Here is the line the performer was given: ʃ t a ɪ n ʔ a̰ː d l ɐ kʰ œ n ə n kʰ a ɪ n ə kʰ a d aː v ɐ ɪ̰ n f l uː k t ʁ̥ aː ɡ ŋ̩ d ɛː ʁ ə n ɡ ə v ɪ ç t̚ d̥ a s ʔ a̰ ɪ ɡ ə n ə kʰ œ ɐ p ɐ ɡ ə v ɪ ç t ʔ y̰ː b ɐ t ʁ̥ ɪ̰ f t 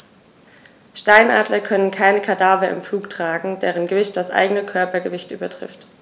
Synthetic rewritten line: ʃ t a ɪ n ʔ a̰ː d l ɐ kʰ œ n ə n kʰ a ɪ n ə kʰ a d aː v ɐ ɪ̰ m f l uː k t ʁ̥ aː ɡ ŋ̩ d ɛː ʁ ə n ɡ ə v ɪ ç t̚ d̥ a s ʔ a̰ ɪ ɡ ə n ə kʰ œ ɐ p ɐ ɡ ə v ɪ ç t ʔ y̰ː b ɐ t ʁ̥ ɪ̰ f t